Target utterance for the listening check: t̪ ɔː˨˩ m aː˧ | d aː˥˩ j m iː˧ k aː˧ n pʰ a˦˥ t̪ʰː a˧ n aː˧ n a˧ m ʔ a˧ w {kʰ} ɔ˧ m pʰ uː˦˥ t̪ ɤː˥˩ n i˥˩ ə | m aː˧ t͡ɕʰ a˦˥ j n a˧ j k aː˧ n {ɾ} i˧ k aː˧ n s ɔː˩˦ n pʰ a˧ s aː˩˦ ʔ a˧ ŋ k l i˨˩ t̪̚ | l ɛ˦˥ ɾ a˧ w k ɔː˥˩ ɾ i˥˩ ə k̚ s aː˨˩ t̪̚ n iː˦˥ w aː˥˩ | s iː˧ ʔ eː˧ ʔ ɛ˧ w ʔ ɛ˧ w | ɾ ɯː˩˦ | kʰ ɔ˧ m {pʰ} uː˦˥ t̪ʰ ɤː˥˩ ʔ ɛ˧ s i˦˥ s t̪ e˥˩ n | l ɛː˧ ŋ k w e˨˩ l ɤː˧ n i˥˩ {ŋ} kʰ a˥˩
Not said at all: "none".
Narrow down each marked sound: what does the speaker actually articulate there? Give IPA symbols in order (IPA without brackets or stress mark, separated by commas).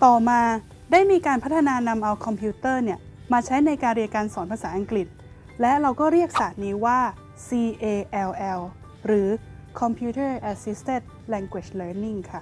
kʰ, ɾ, pʰ, ŋ